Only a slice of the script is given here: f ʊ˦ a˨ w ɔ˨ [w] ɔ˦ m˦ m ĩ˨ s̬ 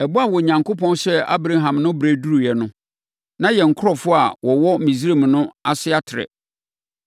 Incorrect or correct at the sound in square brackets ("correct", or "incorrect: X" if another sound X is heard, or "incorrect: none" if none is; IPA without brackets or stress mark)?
correct